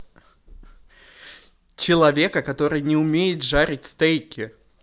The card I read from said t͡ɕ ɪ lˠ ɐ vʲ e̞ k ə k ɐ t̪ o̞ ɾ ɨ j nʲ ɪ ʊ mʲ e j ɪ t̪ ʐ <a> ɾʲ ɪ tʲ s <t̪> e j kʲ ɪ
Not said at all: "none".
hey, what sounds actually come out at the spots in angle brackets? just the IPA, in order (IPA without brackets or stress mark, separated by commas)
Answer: a, t̪